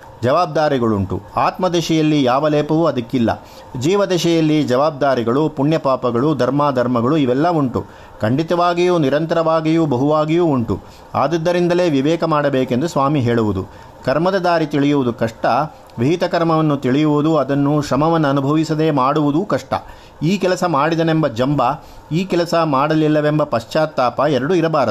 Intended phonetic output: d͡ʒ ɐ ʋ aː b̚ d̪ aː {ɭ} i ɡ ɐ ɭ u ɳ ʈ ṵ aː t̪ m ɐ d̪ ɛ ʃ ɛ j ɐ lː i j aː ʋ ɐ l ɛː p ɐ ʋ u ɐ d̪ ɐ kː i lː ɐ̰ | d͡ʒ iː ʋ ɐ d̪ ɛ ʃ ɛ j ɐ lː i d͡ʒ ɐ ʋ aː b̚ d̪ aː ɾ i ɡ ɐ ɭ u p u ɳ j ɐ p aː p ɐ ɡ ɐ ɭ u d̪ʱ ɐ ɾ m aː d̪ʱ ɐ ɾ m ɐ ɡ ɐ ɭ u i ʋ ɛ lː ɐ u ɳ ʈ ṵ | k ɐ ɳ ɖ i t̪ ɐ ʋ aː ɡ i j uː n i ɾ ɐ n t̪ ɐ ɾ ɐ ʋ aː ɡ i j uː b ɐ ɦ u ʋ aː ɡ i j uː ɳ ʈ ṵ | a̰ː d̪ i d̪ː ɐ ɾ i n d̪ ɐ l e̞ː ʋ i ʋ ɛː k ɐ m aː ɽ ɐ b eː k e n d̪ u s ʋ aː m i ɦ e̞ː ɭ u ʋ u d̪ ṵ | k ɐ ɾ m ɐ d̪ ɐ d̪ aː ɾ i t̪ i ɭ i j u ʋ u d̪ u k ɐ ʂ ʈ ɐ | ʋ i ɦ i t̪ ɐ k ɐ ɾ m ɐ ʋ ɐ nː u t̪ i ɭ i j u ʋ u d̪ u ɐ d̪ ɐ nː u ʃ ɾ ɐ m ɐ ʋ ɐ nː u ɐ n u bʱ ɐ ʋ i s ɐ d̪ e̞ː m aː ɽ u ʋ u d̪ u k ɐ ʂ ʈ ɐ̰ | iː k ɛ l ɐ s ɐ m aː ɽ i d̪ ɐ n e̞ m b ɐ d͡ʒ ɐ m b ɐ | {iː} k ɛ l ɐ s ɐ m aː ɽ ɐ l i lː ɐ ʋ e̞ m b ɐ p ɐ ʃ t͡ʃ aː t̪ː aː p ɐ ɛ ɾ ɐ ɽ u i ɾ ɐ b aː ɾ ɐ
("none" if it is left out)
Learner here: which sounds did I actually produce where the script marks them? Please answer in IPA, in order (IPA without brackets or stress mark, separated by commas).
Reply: ɾ, iː